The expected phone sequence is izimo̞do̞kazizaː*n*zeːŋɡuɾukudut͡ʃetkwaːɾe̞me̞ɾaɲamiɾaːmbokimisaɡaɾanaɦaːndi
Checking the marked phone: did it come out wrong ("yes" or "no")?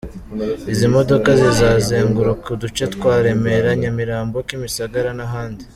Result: yes